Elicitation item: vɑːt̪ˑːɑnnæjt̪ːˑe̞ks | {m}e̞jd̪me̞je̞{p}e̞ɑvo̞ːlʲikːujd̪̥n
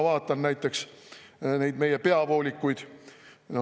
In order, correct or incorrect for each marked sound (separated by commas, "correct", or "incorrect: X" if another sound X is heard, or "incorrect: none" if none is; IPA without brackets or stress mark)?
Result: incorrect: n, correct